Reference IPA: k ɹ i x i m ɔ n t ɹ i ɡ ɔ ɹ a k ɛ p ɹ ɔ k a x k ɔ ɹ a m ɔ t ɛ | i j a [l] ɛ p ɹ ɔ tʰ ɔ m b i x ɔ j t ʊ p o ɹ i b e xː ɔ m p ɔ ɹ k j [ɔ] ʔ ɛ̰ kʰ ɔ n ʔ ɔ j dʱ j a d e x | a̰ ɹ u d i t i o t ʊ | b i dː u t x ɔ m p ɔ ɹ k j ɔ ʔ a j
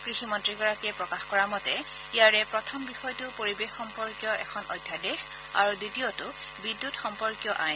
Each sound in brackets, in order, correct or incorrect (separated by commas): incorrect, correct